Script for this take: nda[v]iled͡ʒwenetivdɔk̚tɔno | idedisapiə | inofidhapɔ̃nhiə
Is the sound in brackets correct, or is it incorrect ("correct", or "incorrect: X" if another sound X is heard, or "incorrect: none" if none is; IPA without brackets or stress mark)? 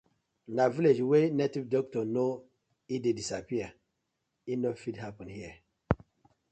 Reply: correct